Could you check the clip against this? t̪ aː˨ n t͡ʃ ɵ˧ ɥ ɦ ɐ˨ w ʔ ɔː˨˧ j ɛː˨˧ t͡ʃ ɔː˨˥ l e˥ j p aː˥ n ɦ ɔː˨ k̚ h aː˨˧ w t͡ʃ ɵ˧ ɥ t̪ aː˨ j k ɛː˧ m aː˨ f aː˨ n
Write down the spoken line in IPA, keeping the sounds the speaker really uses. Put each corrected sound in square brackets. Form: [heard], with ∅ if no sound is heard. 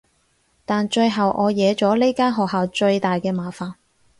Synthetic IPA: t̪ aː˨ n t͡ʃ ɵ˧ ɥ ɦ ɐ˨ w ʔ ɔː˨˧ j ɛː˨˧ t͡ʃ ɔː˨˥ l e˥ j [k] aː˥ n ɦ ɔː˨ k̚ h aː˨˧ w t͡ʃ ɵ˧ ɥ t̪ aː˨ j k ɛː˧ m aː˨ f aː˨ n